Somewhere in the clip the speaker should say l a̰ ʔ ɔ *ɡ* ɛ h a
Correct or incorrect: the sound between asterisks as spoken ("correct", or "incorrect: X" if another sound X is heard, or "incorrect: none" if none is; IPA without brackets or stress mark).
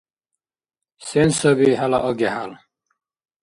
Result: correct